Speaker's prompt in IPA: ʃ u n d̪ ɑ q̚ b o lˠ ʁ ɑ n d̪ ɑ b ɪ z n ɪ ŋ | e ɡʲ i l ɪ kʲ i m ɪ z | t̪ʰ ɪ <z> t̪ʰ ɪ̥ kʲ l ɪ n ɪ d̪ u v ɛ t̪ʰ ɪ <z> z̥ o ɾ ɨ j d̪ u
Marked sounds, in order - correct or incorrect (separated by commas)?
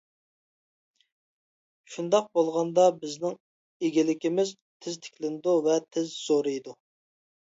correct, correct